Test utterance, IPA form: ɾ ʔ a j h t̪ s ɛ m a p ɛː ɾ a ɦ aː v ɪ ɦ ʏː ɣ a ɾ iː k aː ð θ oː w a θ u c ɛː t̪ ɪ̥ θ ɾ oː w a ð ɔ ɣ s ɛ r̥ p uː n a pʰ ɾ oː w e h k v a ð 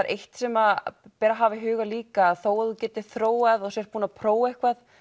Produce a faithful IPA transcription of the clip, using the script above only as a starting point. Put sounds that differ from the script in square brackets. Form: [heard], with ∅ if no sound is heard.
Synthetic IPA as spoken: ɾ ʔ [e] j h t̪ s ɛ m a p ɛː ɾ a ɦ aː v ɪ ɦ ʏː ɣ a [l] iː k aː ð θ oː w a [ð] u c ɛː t̪ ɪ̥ θ ɾ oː w a ð ɔ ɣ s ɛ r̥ p uː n a pʰ ɾ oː w e h k v a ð